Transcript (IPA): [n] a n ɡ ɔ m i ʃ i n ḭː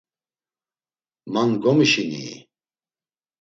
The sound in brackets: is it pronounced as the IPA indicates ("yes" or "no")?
no